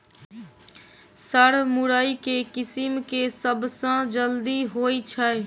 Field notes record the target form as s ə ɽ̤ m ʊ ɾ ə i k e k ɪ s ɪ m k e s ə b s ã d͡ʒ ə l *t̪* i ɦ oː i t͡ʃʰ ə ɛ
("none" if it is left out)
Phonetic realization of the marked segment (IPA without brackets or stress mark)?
d̪